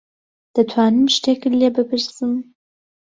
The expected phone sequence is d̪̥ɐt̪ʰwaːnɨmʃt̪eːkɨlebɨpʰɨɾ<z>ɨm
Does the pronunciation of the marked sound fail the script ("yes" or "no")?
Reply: yes